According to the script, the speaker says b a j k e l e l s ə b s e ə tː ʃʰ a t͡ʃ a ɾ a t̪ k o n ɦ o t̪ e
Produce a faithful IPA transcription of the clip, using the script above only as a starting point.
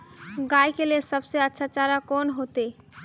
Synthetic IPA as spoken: ɡ a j k e l e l s ə b s e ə tː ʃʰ a t͡ʃ a ɾ a k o n ɦ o t̪ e